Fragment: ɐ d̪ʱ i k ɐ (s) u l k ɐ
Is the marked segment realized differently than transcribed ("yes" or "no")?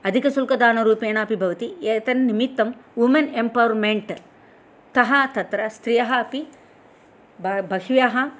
no